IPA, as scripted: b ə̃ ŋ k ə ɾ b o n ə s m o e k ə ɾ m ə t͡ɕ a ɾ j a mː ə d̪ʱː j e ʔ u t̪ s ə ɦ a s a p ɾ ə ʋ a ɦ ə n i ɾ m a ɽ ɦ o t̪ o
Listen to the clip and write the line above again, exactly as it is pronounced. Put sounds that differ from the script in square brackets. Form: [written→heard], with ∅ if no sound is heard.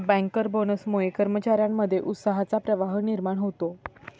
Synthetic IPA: b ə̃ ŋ k ə ɾ b o n ə s m o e k ə ɾ m ə t͡ɕ a ɾ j a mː ə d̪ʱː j e ʔ u t̪ s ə ɦ a [s→t͡s] a p ɾ ə ʋ a ɦ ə n i ɾ m a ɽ ɦ o t̪ o